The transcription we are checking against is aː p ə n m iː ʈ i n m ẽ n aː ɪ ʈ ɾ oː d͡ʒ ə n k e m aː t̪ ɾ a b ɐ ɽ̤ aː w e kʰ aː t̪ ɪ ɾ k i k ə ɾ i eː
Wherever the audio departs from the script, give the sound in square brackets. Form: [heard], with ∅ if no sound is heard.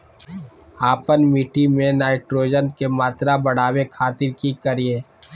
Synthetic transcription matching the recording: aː p ə n m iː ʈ i [∅] m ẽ n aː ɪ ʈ ɾ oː d͡ʒ ə n k e m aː t̪ ɾ a b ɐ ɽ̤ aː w e kʰ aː t̪ ɪ ɾ k i k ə ɾ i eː